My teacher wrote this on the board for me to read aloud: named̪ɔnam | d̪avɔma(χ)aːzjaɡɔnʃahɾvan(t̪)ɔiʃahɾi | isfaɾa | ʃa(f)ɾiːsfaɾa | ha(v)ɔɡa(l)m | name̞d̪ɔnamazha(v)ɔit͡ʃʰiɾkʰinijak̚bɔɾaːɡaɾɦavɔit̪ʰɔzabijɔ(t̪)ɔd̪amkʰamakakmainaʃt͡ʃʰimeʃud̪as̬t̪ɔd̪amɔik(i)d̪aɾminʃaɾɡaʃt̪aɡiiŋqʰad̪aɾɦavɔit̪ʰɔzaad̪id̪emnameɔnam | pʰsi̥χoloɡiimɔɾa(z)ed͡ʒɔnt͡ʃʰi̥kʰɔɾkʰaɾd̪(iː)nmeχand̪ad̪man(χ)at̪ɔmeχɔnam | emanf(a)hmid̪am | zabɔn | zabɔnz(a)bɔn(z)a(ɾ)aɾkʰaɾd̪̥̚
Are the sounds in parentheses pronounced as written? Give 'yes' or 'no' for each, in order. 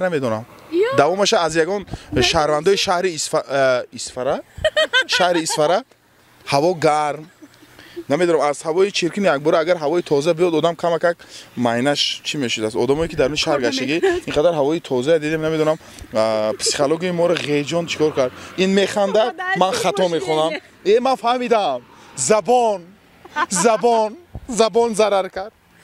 no, no, no, yes, no, yes, no, yes, no, no, yes, yes, yes, yes, yes

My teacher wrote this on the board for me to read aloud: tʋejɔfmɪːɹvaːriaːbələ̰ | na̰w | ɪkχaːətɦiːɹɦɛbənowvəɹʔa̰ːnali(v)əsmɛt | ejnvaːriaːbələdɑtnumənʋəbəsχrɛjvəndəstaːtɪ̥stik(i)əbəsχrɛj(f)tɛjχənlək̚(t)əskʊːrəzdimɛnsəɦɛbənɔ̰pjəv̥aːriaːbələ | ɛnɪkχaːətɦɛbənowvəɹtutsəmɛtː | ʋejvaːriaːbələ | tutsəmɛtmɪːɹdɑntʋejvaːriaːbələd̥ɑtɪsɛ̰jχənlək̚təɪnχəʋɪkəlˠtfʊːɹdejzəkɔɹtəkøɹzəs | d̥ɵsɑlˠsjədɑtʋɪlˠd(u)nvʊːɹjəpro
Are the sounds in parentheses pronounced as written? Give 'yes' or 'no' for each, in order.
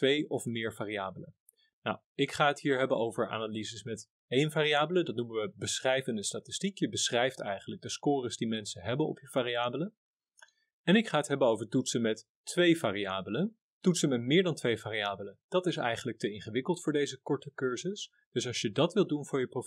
no, no, yes, no, yes

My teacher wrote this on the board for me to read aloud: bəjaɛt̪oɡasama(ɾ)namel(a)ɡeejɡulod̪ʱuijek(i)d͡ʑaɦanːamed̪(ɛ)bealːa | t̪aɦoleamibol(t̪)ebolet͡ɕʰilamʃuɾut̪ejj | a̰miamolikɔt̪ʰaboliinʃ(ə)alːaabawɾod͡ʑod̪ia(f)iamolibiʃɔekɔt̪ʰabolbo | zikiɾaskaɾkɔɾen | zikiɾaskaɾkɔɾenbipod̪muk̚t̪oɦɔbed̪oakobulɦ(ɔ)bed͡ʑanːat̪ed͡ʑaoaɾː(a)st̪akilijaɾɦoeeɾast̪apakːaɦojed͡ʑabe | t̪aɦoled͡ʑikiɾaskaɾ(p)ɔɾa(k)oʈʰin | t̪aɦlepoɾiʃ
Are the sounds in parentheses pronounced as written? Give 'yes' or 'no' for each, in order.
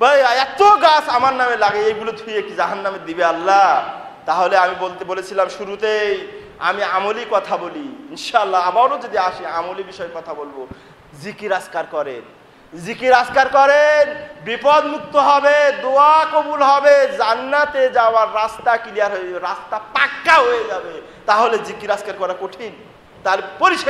yes, yes, yes, no, yes, no, no, yes, yes, no, yes

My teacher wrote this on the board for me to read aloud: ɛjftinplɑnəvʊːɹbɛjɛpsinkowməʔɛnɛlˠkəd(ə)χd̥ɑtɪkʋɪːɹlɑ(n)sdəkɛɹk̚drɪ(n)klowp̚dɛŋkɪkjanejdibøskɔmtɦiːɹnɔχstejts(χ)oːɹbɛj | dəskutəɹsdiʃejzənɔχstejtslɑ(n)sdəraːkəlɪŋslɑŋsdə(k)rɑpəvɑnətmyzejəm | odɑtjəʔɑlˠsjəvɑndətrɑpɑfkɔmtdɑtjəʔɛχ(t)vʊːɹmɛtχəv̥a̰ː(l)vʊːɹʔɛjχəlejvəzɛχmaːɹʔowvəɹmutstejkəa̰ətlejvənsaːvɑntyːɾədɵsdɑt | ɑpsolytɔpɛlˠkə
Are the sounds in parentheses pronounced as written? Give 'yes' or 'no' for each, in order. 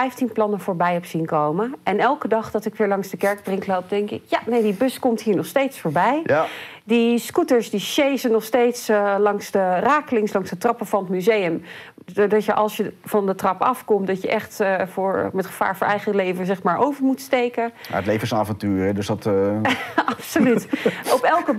no, no, no, no, no, no, yes, no

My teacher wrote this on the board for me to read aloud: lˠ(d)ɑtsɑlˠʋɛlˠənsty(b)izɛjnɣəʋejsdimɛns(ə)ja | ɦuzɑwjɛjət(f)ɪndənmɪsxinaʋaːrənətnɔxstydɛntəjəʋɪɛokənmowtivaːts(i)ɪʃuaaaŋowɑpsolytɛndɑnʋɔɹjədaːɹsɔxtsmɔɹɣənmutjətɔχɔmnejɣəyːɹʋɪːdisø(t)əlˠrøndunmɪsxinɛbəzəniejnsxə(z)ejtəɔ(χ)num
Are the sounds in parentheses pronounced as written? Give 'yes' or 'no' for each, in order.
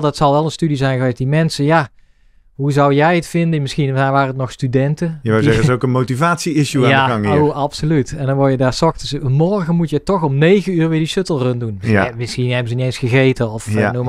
yes, no, yes, yes, yes, yes, no, no

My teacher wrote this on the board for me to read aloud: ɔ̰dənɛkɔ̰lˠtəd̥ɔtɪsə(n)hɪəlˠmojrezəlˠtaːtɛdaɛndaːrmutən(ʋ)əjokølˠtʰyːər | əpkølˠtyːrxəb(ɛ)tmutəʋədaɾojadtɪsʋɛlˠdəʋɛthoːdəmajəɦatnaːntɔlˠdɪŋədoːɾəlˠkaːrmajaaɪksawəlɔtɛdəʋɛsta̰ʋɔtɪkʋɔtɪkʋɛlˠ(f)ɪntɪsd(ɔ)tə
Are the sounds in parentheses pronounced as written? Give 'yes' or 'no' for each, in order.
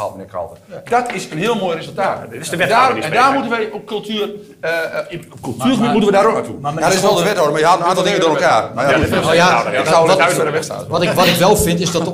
yes, yes, no, yes, yes

